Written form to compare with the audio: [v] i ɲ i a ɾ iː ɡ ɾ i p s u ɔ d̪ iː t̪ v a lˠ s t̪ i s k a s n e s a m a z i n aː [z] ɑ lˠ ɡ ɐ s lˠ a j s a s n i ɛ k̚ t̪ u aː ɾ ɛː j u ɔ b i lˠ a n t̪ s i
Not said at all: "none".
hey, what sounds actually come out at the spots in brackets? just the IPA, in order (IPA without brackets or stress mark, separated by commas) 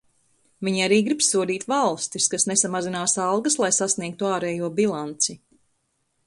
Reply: v, s